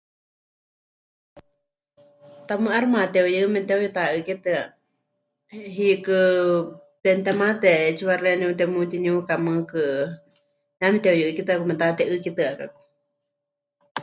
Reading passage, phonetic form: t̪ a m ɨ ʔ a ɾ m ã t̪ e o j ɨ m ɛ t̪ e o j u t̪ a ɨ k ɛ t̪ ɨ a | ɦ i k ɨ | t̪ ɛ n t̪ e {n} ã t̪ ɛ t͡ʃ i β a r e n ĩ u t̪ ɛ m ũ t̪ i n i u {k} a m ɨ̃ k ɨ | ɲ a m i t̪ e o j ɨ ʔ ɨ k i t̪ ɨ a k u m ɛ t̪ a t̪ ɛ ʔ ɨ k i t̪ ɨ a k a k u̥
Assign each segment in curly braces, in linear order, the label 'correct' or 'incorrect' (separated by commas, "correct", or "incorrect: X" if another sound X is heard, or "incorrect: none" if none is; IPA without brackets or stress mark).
incorrect: m, correct